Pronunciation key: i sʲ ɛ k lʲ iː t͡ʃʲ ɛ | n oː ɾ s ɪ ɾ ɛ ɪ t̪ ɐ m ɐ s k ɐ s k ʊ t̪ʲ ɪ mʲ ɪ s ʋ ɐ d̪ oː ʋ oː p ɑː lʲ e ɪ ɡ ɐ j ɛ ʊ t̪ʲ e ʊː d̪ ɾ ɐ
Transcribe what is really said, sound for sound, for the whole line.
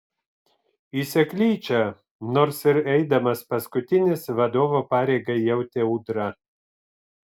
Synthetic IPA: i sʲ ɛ k lʲ iː t͡ʃʲ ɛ | n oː ɾ s ɪ ɾ ɛ ɪ d̪ ɐ m ɐ s p ɐ s k ʊ t̪ʲ ɪ nʲ ɪ s ʋ ɐ d̪ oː ʋ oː p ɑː ɾʲ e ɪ ɡ ɐ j ɛ ʊ t̪ʲ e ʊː d̪ ɾ ɐ